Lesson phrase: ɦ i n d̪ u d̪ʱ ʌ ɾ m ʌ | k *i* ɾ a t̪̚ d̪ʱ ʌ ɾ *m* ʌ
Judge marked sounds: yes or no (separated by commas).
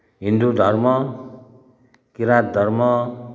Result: yes, yes